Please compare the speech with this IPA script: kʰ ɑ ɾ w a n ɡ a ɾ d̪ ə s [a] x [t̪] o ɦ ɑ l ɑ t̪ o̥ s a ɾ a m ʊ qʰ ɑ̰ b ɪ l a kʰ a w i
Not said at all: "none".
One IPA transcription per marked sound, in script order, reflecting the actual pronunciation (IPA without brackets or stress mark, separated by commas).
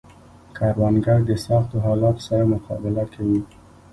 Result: ɑ, t̪